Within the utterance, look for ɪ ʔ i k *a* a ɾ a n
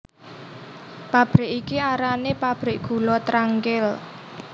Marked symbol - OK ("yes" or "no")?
no